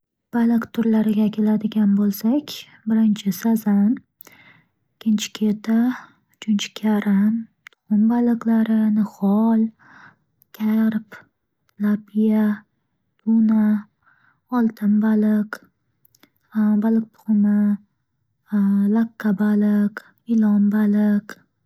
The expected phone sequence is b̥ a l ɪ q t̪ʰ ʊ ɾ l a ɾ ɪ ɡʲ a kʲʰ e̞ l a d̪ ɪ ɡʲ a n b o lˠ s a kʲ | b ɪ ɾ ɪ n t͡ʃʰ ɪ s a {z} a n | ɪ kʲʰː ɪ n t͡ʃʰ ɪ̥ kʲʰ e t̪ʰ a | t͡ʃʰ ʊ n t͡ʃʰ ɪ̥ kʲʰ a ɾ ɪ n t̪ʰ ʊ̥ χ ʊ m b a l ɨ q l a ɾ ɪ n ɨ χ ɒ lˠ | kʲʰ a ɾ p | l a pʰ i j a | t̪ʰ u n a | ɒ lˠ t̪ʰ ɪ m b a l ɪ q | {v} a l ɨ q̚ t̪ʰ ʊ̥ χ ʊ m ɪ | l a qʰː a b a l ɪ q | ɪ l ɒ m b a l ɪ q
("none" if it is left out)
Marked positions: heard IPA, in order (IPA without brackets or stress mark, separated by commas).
z, b